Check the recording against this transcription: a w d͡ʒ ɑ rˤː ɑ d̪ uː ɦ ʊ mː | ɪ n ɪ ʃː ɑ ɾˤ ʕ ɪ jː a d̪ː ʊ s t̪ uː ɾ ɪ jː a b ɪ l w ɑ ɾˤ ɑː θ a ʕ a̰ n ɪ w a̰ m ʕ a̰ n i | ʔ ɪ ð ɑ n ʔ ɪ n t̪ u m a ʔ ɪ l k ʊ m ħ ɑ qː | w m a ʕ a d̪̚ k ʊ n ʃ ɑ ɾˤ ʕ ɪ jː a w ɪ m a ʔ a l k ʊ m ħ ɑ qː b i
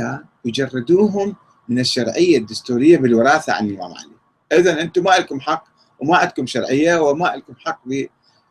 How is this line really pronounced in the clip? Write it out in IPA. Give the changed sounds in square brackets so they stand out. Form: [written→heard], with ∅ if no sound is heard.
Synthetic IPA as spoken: a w d͡ʒ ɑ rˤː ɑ d̪ uː ɦ ʊ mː | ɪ n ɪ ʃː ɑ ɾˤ ʕ ɪ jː a d̪ː ʊ s t̪ uː ɾ ɪ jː a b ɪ l w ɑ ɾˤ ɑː θ a ʕ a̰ n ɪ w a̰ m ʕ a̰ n i | ʔ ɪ ð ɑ n ʔ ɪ n t̪ u m a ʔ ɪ l k ʊ m ħ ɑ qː | w m a ʕ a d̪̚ k ʊ [n→m] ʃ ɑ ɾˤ ʕ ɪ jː a w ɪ m a ʔ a l k ʊ m ħ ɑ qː b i